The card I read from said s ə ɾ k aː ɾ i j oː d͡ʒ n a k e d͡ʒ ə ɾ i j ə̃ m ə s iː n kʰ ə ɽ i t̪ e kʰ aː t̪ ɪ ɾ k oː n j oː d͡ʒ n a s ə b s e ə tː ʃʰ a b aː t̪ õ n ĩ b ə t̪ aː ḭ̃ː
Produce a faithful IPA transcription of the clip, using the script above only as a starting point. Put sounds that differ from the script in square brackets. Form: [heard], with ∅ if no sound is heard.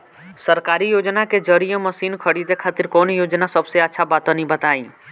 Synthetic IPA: s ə ɾ k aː ɾ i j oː d͡ʒ n a k e d͡ʒ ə ɾ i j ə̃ m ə s iː n kʰ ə ɽ i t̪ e kʰ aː t̪ ɪ ɾ k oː n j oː d͡ʒ n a s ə b s e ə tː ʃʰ a b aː t̪ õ n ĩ b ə t̪ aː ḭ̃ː